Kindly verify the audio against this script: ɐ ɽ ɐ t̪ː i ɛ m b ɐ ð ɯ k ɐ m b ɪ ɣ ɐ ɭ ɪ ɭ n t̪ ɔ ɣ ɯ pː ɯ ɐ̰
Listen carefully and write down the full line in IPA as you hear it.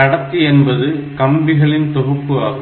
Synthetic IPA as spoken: ɐ ɽ ɐ t̪ː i ɛ n b ɐ ð ɯ k ɐ m b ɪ ɣ ɐ ɭ ɪ n t̪ ɔ ɣ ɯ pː ɯ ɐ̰

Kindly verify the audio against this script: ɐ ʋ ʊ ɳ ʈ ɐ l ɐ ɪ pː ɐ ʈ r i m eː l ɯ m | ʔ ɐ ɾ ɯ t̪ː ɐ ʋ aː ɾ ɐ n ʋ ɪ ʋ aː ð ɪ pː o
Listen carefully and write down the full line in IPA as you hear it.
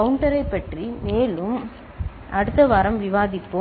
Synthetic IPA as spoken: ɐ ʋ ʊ ɳ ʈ ɐ ɾ ɐ ɪ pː ɐ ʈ r i m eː l ɯ m | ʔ ɐ ɽ ɯ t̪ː ɐ ʋ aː ɾ ɐ m ʋ ɪ ʋ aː ð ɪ pː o

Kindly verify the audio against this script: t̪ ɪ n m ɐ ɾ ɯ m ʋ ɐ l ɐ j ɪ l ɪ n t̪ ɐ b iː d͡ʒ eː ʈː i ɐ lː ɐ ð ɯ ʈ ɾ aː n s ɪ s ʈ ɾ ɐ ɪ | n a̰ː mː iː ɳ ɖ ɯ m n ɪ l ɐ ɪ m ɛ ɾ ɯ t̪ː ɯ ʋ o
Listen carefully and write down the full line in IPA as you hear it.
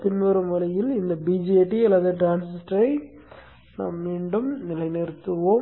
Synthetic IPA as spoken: t̪ ɪ n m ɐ ɾ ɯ m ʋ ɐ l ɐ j ɪ l ɪ n d̪ ɐ b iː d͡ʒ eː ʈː i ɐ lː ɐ ð ɯ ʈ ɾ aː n s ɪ s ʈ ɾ ɐ ɪ | n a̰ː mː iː ɳ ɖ ɯ m n ɪ l ɐ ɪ n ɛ ɾ ɯ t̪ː ɯ ʋ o

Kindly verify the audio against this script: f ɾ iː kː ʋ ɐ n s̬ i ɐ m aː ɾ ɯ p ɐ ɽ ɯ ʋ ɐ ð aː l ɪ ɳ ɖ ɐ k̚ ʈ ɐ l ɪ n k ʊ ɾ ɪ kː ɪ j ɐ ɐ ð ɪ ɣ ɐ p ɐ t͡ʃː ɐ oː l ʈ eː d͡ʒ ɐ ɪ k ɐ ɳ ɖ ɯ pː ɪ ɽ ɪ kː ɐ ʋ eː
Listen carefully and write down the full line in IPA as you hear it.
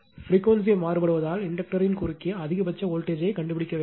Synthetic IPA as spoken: f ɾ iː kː ʋ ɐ n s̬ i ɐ m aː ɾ ɯ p ɐ ɽ ɯ ʋ ɐ ð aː l ɪ ɳ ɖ ɐ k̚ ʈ ɐ ɾ ɪ n k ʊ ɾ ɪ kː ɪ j ɐ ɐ ð ɪ ɣ ɐ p ɐ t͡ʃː ɐ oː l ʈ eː d͡ʒ ɐ ɪ k ɐ ɳ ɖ ɯ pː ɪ ɽ ɪ kː ɐ ʋ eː

